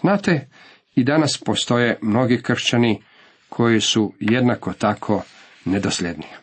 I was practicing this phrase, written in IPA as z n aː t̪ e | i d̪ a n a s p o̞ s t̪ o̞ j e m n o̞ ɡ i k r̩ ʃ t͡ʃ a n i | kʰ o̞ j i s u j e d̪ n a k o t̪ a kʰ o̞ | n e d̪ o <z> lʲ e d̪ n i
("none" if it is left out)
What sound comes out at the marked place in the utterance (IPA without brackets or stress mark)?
s